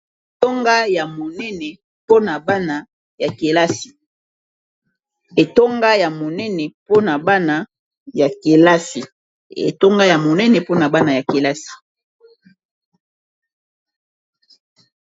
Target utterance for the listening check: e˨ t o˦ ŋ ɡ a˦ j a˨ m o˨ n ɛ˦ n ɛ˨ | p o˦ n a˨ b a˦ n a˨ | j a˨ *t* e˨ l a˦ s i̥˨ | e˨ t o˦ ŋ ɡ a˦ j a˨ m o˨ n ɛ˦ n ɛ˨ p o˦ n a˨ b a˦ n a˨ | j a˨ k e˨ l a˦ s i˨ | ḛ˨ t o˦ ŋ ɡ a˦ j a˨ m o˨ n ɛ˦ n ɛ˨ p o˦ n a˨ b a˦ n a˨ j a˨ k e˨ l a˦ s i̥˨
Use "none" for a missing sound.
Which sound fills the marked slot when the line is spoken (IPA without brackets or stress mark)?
k